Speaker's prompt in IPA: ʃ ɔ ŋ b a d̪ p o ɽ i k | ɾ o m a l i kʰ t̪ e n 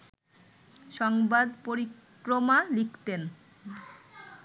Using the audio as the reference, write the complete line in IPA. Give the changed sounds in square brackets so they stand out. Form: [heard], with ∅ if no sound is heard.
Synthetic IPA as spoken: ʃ ɔ ŋ b a d̪ p o [ɾ] i k | ɾ o m a l i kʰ t̪ e n